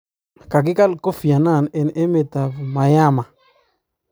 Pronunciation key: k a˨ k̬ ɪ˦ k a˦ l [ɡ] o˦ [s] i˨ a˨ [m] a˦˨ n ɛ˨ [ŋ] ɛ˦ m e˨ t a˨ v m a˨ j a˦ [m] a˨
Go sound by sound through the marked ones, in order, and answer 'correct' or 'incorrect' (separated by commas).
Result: incorrect, incorrect, incorrect, incorrect, correct